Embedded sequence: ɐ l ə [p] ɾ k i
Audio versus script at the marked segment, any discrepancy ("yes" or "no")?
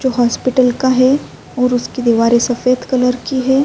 yes